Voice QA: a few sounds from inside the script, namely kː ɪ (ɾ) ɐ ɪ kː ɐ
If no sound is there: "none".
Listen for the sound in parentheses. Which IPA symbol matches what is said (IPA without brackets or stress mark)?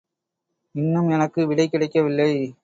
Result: ɽ